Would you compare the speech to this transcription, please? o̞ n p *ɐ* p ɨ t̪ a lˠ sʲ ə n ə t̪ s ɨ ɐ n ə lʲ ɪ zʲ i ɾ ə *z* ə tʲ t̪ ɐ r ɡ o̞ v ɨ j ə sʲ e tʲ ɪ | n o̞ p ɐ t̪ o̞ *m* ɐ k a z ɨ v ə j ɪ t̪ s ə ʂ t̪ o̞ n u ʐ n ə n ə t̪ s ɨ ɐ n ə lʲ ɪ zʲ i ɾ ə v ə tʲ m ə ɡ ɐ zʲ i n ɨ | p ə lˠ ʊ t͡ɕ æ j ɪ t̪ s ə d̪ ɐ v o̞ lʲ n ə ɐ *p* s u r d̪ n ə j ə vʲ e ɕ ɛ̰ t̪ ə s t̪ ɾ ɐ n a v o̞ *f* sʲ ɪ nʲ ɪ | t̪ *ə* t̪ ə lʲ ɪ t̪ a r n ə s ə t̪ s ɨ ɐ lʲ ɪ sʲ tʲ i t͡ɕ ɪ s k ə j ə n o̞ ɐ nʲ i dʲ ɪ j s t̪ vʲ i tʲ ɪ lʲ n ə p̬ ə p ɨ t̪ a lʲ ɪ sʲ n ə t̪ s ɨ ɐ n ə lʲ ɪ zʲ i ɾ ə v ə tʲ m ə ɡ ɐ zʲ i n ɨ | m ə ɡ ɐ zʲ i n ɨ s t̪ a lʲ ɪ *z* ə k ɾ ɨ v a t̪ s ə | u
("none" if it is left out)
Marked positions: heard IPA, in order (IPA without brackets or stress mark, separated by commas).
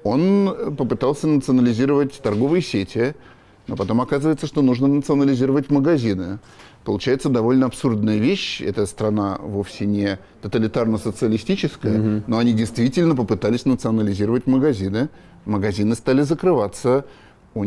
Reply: ə, v, m, p, f, ə, z